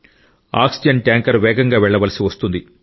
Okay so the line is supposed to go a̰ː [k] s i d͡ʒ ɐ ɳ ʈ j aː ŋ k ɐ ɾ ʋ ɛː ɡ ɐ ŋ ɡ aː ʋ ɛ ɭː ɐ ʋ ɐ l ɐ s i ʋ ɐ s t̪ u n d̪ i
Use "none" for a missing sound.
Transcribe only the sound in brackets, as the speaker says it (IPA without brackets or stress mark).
k